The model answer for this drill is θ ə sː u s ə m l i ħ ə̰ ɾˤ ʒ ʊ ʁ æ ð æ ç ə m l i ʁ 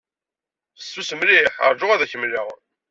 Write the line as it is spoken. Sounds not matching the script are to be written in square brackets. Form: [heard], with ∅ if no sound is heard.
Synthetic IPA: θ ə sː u s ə m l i ħ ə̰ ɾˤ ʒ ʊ ʁ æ ð æ ç ə m l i ʁ